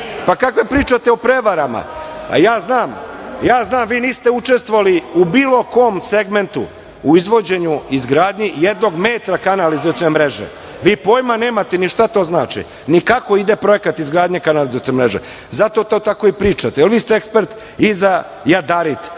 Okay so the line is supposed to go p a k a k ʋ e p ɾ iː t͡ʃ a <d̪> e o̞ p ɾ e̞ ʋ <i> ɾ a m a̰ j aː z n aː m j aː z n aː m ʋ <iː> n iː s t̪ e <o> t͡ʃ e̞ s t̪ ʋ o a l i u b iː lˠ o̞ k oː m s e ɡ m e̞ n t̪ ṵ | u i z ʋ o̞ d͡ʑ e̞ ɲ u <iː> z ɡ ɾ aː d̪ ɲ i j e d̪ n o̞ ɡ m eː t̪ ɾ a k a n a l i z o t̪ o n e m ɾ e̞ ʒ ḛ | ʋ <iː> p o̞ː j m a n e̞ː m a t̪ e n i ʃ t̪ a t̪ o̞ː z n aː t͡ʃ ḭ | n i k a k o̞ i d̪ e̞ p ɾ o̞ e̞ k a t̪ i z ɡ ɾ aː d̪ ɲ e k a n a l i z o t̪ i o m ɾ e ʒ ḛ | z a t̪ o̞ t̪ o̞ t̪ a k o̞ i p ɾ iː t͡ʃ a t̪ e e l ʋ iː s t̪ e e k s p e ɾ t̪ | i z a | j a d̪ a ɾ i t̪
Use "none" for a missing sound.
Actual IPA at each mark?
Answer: t̪, a, iː, u, i, iː

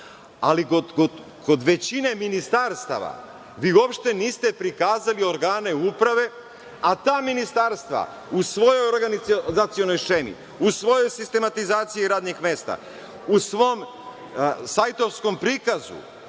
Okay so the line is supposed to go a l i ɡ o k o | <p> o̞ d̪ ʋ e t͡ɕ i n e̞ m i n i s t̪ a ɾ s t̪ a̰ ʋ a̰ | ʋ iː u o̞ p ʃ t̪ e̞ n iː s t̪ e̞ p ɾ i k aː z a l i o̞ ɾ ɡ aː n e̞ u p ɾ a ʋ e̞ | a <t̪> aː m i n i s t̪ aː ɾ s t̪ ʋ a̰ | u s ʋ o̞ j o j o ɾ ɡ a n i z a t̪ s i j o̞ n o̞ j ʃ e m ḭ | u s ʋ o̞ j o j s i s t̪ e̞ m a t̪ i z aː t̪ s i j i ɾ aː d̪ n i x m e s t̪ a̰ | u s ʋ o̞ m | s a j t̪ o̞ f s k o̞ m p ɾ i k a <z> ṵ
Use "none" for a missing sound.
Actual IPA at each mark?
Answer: k, t̪, z

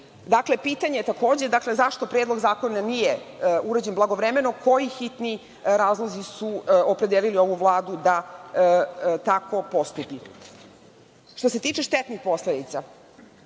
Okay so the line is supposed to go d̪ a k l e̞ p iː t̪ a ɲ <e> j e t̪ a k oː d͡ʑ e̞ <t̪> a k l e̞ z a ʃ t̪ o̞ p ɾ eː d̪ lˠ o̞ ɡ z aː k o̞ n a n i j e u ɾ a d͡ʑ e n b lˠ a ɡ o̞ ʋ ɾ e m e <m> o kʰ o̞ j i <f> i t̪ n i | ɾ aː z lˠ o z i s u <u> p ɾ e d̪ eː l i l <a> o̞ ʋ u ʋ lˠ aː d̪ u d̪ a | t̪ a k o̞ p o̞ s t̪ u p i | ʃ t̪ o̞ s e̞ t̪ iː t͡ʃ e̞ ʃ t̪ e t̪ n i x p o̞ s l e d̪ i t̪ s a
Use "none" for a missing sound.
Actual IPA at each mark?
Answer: e, d̪, n, x, o, i

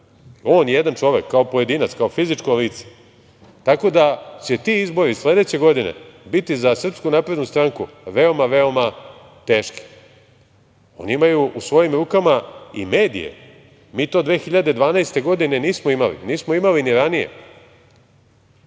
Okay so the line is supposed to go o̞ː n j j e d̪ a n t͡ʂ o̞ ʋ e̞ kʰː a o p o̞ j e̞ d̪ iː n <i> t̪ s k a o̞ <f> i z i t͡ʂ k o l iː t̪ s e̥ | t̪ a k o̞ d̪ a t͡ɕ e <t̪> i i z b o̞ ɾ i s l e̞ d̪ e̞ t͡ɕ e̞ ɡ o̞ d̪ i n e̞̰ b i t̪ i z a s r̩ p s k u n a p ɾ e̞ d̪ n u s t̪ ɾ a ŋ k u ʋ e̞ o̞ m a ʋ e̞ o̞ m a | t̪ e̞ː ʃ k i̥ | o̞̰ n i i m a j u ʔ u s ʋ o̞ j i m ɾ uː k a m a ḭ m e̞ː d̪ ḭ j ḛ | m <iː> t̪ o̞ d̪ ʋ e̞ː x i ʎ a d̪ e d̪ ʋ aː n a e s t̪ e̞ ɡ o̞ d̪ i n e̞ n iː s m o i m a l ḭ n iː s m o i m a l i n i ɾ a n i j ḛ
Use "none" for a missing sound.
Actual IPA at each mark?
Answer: a, f, t̪, iː

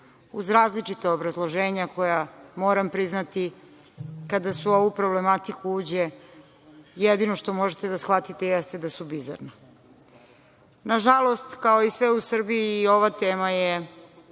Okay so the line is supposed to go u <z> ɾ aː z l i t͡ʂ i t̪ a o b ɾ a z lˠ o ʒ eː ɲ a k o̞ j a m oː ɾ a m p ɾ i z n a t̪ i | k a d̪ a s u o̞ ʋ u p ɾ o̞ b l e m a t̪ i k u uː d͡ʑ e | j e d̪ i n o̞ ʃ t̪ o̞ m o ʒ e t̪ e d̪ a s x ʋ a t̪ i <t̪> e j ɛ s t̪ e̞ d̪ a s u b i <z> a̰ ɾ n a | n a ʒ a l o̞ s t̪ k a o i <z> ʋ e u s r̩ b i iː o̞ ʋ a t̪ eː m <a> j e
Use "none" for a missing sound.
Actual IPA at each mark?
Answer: z, t̪, z, s, a

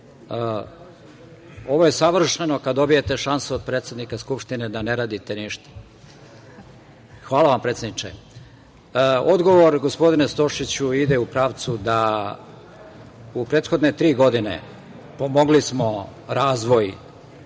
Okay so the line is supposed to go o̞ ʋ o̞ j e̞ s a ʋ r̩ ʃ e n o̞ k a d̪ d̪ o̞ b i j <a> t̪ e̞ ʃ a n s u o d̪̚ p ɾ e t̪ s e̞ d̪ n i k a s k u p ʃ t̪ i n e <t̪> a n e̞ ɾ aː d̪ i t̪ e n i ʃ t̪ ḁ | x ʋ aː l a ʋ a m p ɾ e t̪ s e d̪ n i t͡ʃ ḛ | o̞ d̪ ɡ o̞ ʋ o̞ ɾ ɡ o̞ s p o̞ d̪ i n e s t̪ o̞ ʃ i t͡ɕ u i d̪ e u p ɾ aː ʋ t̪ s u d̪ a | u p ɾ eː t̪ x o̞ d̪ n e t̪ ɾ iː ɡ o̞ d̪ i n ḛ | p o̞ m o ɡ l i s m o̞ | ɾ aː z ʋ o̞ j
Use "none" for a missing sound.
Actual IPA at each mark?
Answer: e, d̪

